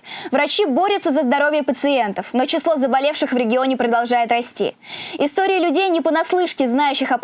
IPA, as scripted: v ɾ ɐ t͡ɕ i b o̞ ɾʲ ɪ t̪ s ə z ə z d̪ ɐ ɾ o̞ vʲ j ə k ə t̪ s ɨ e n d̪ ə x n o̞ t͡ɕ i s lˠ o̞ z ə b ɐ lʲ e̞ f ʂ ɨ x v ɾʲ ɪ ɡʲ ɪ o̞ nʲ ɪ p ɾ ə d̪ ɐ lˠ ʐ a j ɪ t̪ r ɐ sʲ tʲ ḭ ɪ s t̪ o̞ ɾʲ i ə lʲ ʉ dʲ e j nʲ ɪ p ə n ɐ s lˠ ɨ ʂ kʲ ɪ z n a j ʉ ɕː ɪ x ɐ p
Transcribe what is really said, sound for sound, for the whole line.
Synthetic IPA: v ɾ ɐ t͡ɕ i b o̞ ɾʲ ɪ t̪ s ə z ə z d̪ ɐ ɾ o̞ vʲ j ə p ə t̪ s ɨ e n t̪ ə f n o̞ t͡ɕ ɪ s lˠ o̞ z ə b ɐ lʲ e̞ f ʂ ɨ x v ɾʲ ɪ ɡʲ ɪ o̞ nʲ ɪ p ɾ ə d̪ ɐ lˠ ʐ a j ɪ t̪ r ɐ sʲ tʲ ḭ ɪ s t̪ o̞ ɾʲ ɪ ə lʲ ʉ dʲ e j nʲ ɪ p ə n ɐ s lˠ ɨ ʂ kʲ ɪ z n a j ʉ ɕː ɪ x ɐ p